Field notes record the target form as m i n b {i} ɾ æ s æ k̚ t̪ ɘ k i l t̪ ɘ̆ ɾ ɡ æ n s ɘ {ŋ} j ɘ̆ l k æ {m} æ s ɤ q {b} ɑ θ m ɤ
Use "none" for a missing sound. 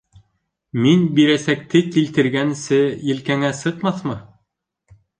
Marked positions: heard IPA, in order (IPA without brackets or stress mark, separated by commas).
i, none, ŋ, m